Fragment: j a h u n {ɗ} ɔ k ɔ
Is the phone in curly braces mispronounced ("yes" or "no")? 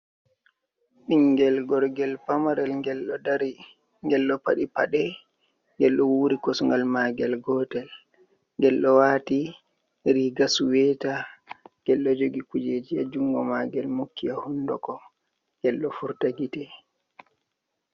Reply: yes